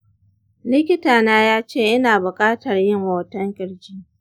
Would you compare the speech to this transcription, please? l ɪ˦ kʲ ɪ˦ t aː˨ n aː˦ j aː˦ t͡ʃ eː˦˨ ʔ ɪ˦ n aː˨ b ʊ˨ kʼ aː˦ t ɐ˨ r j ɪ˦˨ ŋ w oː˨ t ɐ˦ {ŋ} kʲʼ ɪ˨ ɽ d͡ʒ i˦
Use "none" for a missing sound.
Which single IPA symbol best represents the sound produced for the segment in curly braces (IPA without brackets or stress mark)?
ŋ